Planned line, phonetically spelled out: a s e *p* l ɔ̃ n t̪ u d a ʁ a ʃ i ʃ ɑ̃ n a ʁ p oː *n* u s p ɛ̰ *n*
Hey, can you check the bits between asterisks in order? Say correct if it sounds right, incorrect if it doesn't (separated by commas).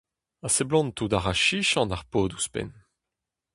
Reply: incorrect, incorrect, correct